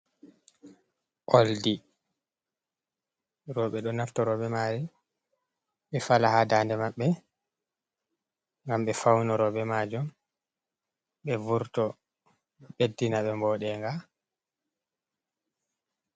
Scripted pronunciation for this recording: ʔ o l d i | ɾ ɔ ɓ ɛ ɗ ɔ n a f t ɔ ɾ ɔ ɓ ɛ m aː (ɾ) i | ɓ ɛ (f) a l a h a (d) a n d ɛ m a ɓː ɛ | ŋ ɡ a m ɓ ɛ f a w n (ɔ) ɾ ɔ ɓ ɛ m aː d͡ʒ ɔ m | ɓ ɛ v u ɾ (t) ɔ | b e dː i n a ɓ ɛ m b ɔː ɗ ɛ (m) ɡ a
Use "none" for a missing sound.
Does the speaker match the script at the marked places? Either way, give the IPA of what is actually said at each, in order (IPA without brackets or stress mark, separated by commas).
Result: ɾ, f, d, ɔ, t, ŋ